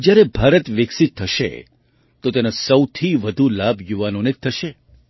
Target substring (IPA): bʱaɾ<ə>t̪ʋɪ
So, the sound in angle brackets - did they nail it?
yes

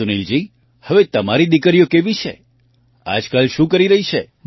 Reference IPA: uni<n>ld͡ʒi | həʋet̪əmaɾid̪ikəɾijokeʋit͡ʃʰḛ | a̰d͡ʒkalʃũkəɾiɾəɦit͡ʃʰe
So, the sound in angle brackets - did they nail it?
no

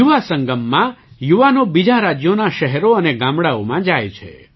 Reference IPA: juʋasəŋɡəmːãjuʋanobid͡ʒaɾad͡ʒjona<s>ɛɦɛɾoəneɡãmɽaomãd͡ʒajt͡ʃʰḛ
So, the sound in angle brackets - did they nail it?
no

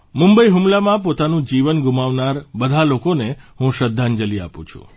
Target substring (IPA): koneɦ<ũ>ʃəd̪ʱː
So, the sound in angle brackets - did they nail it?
yes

